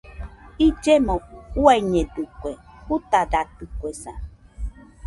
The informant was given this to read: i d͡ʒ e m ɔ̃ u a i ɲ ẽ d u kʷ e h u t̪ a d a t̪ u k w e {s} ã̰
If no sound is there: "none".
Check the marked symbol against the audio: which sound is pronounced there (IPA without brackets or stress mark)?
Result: s